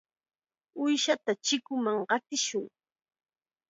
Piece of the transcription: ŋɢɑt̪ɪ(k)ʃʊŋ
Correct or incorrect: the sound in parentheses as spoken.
incorrect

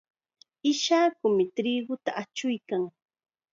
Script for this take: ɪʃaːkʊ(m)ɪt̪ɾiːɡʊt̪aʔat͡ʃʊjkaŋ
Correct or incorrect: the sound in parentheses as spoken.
correct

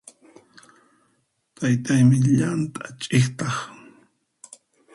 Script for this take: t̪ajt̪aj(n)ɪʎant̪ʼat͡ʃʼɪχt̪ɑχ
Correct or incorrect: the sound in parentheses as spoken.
incorrect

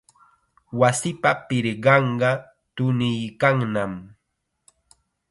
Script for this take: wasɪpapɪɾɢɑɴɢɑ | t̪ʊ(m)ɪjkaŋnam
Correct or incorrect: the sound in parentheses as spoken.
incorrect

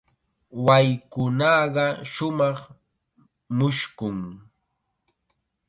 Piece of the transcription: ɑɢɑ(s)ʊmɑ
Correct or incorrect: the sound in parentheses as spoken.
incorrect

